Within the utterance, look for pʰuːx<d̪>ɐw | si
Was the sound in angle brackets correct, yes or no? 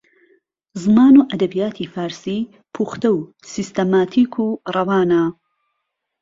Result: no